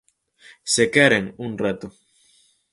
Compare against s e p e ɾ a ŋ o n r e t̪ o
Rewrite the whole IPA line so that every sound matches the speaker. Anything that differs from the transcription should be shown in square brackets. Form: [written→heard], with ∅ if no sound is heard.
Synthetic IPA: s e [p→k] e ɾ [a→e] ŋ [o→u] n r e t̪ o